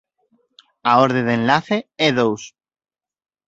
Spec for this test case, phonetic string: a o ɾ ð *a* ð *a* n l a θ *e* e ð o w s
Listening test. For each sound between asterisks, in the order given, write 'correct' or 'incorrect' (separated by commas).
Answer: incorrect, incorrect, correct